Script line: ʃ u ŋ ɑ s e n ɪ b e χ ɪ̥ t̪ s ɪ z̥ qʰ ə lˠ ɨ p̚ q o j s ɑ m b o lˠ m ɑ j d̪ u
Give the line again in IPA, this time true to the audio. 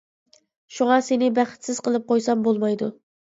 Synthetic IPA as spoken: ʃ u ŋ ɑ s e n ɪ b æ χ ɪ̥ t̪ s ɪ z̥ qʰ ə lˠ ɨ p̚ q o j s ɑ m b o lˠ m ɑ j d̪ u

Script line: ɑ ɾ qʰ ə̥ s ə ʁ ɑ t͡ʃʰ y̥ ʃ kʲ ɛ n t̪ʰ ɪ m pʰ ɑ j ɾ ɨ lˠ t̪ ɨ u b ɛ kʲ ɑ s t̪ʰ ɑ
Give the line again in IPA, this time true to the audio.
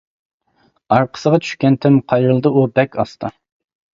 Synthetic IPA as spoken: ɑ ɾ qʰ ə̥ s ə ʁ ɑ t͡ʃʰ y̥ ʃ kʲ ɛ n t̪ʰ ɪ m qʰ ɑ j ɾ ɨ lˠ d̪ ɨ u b ɛ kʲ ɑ s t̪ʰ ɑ

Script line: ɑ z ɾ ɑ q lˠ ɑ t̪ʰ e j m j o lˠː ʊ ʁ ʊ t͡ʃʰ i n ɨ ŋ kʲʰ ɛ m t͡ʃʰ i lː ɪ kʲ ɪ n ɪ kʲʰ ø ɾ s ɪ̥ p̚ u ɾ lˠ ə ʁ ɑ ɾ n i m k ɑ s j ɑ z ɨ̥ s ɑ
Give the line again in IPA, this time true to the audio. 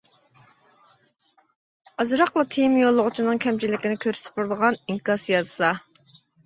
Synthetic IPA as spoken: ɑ z ɾ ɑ q lˠ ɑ t̪ʰ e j m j o lˠː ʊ ʁ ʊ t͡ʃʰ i n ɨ ŋ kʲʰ ɛ m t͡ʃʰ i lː ɪ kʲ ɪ n ɪ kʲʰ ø ɾ s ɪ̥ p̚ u ɾ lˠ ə ʁ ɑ n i ŋ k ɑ s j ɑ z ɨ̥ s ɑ

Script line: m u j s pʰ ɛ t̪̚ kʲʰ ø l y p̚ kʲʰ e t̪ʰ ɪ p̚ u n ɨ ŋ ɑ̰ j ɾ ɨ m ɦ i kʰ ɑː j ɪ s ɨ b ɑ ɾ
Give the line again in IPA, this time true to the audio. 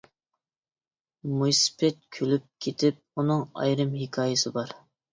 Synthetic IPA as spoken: m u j s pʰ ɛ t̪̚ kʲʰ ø l y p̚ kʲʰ e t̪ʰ ɪ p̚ u n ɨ ŋ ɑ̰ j ɾ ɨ m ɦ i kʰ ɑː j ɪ s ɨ b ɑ ɾ

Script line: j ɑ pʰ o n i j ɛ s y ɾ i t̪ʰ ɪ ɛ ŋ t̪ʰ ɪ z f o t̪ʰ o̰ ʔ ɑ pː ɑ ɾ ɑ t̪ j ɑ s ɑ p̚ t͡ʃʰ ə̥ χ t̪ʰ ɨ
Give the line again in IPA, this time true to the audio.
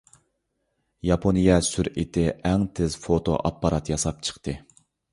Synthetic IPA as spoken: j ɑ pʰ o n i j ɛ s y ɾ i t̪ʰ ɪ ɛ ŋ t̪ʰ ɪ z f o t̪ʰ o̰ ʔ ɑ pː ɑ ɾ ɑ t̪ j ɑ s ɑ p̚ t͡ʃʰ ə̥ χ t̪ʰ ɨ

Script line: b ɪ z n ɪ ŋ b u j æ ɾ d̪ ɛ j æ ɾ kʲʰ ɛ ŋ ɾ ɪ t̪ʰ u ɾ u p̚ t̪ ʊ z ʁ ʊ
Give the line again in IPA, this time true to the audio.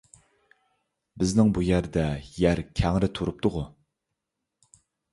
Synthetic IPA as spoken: b ɪ z n ɪ ŋ b u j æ ɾ d̪ ɛ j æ ɾ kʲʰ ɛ ŋ ɾ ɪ t̪ʰ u ɾ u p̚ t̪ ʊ ʁ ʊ

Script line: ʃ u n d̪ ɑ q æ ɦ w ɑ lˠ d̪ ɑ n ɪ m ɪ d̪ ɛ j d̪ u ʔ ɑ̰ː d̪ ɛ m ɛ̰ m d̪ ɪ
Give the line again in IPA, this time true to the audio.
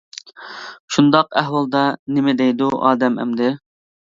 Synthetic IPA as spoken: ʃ u n d̪ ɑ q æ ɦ w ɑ lˠ d̪ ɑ n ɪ m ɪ d̪ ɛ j d̪ u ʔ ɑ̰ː d̪ ɛ m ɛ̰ m d̪ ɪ

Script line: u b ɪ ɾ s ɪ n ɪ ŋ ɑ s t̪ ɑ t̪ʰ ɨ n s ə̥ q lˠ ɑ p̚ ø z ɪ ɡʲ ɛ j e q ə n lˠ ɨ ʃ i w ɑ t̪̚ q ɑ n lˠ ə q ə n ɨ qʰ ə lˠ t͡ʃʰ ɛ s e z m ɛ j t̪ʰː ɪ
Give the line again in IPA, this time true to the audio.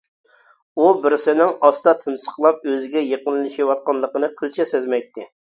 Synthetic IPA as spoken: u b ɪ ɾ s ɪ n ɪ ŋ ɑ s t̪ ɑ t̪ʰ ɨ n s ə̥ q lˠ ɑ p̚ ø z ɪ ɡʲ ɛ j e q ə n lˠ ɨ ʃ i w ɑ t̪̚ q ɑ n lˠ ə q ə n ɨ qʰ ə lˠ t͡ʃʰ ɛ s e z m ɛ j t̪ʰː ɪ

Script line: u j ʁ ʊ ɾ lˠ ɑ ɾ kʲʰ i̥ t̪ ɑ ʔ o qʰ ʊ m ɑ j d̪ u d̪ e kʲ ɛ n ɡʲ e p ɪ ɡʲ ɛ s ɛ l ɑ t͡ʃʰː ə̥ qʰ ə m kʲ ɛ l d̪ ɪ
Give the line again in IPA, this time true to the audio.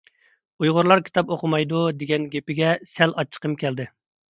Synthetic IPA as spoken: u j ʁ ʊ ɾ lˠ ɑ ɾ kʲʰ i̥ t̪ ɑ p o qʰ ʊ m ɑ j d̪ u d̪ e ɡʲ ɛ n ɡʲ e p ɪ ɡʲ ɛ s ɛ l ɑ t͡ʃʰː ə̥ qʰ ə m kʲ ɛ l d̪ ɪ

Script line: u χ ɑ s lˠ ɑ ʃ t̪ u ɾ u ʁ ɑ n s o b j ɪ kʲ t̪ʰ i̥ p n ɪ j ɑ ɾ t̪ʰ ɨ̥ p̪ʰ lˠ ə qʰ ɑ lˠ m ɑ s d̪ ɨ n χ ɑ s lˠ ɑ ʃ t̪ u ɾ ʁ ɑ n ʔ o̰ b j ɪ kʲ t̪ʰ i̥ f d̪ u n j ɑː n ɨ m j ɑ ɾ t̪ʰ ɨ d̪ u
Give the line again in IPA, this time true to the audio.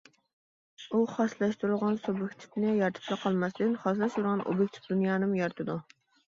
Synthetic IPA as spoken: u χ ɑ s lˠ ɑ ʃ t̪ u ɾ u ʁ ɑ n s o b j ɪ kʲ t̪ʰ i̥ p n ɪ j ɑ ɾ t̪ʰ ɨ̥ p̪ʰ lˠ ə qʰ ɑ lˠ m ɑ s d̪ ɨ n χ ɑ s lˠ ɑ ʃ t̪ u ɾ ʁ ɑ n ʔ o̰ b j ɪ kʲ t̪ʰ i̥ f d̪ u n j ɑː n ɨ m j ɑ ɾ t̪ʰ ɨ d̪ u

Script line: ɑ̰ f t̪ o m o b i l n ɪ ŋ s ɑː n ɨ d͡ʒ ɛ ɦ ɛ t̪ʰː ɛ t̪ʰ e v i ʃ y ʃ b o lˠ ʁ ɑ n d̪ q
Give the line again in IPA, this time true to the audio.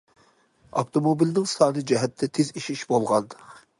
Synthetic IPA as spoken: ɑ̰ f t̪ o m o b i l n ɪ ŋ s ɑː n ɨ d͡ʒ ɛ ɦ ɛ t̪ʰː ɛ t̪ʰ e z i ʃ i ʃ b o lˠ ʁ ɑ n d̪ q

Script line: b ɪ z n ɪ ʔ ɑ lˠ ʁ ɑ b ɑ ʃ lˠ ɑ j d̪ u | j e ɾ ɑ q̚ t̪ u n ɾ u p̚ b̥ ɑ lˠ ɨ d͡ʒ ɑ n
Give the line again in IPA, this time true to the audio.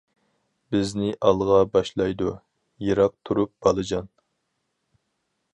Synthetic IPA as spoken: b ɪ z n ɪ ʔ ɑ lˠ ʁ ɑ b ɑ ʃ lˠ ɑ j d̪ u | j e ɾ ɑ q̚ t̪ʰ u ɾ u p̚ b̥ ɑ lˠ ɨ d͡ʒ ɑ n

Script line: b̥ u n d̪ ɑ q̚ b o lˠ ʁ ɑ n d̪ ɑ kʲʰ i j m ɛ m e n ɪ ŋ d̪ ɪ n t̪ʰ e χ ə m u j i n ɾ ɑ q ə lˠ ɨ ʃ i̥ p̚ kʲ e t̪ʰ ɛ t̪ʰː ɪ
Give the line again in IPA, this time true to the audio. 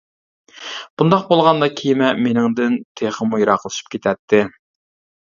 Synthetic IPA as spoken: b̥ u n d̪ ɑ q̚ b o lˠ ʁ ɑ n d̪ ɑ kʲʰ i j m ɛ m e n ɪ ŋ d̪ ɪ n t̪ʰ e χ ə m u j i ɾ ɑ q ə lˠ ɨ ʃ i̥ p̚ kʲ e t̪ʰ ɛ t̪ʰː ɪ

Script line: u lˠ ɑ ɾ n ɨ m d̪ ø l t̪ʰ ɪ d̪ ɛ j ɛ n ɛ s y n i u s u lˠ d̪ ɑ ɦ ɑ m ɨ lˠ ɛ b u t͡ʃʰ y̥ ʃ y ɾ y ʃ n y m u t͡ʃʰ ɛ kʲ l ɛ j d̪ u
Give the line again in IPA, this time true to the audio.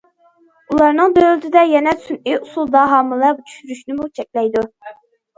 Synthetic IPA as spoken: u lˠ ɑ ɾ n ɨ ŋ d̪ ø l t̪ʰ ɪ d̪ ɛ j ɛ n ɛ s y n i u s u lˠ d̪ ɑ ɦ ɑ m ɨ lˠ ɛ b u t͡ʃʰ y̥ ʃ y ɾ y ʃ n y m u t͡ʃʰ ɛ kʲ l ɛ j d̪ u

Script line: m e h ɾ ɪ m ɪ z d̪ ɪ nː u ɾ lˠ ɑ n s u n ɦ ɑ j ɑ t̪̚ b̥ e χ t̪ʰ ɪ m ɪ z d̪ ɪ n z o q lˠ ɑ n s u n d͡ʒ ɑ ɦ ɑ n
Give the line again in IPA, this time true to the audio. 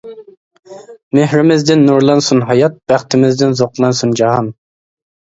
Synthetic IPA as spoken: m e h ɾ ɪ m ɪ z d̪ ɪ nː u ɾ lˠ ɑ n s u n ɦ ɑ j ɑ t̪̚ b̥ æ χ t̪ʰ ɪ m ɪ z d̪ ɪ n z o q lˠ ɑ n s u n d͡ʒ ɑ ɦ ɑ n

